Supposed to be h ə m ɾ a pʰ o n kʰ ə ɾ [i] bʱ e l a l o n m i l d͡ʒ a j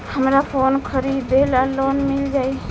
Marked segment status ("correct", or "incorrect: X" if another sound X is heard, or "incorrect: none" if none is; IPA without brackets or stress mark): correct